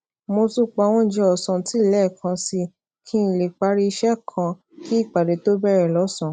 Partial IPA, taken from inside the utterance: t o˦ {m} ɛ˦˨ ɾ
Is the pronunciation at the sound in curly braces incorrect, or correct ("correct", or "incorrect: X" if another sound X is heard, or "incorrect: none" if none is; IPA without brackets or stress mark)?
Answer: incorrect: b